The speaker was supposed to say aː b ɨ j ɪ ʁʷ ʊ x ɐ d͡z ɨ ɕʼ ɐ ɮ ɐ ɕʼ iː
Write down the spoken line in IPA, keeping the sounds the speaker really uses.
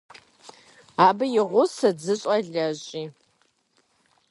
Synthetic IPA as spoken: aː b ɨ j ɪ ʁʷ ʊ s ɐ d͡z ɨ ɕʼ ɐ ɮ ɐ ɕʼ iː

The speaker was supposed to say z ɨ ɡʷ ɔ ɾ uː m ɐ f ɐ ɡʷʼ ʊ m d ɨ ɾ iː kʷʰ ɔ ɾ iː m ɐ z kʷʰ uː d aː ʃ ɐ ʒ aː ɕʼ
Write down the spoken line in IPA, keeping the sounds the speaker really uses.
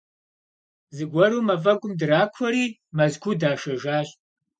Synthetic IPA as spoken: z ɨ ɡʷ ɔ ɾ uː m ɐ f ɐ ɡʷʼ ʊ m d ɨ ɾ aː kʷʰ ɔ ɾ iː m ɐ z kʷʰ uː d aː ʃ ɐ ʒ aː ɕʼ

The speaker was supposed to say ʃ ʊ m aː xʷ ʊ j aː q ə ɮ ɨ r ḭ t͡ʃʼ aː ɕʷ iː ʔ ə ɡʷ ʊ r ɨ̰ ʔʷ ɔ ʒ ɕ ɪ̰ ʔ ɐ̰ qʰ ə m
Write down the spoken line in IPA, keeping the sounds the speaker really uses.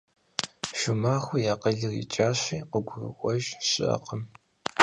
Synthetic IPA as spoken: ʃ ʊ m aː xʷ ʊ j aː q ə ɮ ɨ r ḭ t͡ʃʼ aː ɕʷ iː q ə ɡʷ ʊ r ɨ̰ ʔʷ ɔ ʒ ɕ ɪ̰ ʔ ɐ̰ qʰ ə m

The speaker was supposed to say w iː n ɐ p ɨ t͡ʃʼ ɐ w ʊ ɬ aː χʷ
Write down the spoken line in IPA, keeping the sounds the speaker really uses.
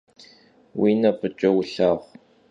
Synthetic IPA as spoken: w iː n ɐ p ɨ t͡ʃʼ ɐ w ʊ ɬ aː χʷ

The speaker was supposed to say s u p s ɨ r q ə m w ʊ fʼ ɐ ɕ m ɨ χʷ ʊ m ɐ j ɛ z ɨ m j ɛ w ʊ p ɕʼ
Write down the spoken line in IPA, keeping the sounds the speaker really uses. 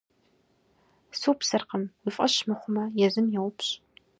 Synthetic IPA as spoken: s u p s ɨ r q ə m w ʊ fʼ ɐ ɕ m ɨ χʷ ʊ m ɐ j ɛ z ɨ m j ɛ w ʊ p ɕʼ

